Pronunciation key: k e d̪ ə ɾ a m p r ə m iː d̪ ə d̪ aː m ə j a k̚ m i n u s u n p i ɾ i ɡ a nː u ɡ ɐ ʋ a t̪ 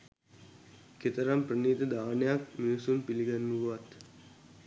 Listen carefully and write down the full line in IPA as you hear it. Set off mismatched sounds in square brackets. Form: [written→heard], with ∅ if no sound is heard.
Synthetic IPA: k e [d̪→t̪] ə ɾ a m p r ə [m→n] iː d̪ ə d̪ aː [m→n] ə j a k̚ m i n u s u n p i [ɾ→l] i ɡ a nː u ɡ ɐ ʋ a t̪